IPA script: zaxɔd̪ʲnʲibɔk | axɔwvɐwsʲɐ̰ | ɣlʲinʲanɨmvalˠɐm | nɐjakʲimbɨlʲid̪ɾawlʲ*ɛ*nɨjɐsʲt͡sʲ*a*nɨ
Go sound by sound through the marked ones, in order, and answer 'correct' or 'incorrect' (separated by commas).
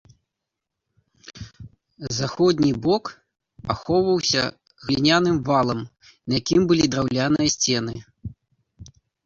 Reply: incorrect, incorrect